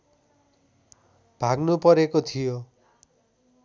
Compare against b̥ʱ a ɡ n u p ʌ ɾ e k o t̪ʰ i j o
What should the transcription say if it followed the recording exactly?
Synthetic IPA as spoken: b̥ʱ a ɡ n u p ʌ ɾ e k o t̪ʰ i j o